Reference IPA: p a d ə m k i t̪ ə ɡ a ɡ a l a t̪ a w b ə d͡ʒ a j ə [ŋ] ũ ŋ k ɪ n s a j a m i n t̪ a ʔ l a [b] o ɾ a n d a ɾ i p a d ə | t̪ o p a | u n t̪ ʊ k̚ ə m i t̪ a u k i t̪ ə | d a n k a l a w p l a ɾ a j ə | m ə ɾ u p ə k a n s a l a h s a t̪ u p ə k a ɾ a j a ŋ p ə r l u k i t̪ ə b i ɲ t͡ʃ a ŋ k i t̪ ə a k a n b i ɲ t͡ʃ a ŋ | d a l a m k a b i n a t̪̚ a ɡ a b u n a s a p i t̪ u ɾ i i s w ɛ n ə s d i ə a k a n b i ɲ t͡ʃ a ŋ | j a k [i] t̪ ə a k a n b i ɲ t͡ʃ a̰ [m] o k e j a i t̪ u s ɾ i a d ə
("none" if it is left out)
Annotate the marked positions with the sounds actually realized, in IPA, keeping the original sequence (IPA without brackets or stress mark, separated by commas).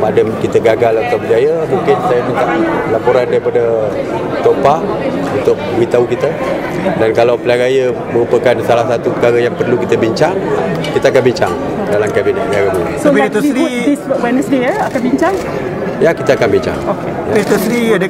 m, p, i, ŋ